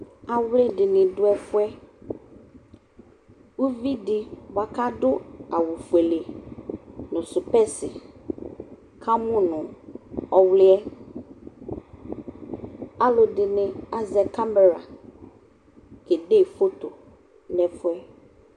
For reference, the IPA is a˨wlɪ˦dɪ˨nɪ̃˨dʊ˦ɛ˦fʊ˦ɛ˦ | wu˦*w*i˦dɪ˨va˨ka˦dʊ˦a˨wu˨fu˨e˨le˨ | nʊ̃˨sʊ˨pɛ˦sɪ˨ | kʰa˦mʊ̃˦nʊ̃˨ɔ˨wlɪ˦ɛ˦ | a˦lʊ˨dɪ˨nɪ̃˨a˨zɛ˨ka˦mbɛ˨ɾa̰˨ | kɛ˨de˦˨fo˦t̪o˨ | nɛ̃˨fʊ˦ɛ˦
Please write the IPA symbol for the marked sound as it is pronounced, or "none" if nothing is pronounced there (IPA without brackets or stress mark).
v